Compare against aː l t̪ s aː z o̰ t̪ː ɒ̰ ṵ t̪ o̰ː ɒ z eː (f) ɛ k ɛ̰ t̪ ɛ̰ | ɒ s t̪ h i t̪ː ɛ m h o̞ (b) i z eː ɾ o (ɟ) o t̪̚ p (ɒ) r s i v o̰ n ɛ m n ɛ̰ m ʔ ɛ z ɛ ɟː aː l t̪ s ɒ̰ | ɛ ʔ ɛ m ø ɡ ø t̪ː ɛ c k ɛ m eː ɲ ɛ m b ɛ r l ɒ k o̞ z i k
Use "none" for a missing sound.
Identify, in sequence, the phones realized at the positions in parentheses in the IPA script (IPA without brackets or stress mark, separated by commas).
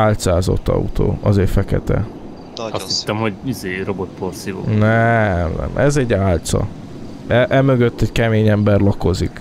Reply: f, ɟ, b, o